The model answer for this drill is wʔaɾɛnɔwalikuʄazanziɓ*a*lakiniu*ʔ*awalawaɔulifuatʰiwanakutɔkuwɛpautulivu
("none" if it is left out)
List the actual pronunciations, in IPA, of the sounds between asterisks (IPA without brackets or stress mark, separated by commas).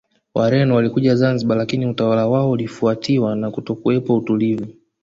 a, t